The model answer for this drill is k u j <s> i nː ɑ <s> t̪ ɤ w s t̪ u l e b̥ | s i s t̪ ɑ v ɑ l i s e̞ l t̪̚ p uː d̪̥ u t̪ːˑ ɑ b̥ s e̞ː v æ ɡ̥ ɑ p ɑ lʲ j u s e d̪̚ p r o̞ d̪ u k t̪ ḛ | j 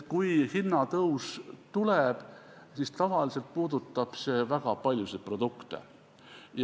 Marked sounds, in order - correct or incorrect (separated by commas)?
incorrect, incorrect